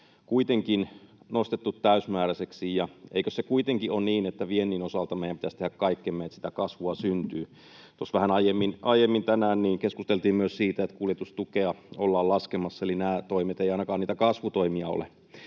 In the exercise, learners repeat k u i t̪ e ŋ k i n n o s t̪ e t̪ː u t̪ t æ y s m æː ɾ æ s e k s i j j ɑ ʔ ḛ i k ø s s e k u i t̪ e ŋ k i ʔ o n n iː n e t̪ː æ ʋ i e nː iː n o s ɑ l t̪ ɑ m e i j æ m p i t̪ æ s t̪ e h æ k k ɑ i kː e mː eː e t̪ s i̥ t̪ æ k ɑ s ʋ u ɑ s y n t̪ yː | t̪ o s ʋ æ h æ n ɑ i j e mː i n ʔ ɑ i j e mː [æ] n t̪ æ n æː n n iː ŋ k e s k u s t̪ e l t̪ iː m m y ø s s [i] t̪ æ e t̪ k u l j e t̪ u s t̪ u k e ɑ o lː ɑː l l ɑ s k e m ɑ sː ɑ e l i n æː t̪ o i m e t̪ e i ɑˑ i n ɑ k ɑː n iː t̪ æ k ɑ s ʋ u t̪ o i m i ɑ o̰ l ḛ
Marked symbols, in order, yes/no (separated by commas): no, no